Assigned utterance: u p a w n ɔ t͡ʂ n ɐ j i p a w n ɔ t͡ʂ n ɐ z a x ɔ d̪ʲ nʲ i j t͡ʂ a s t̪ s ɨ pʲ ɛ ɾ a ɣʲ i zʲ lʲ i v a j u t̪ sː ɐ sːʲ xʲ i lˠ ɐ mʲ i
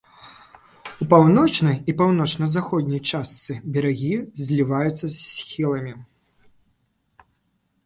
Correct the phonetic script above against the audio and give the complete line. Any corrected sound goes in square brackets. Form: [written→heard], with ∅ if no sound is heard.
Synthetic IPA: u p a w n ɔ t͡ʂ n ɐ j i p a w n ɔ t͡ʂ n ɐ z a x ɔ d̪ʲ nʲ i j t͡ʂ a s t̪ s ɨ [pʲ→bʲ] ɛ ɾ a ɣʲ i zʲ lʲ i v a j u t̪ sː ɐ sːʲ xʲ i lˠ ɐ mʲ i